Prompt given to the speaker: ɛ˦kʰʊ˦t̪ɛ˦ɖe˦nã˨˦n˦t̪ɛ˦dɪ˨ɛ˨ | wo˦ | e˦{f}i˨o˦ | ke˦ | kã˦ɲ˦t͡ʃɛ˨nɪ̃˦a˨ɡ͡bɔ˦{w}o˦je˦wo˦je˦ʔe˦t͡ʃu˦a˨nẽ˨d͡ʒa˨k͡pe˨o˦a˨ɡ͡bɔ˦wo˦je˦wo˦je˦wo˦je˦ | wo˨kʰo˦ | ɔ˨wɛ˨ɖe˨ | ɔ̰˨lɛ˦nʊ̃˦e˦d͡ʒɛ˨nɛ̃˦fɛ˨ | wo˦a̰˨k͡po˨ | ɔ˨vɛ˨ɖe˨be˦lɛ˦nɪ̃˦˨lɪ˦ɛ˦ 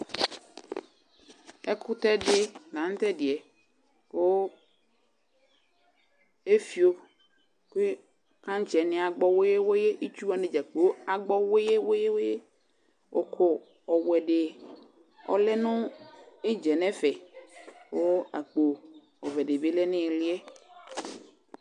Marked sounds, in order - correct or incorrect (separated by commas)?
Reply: correct, correct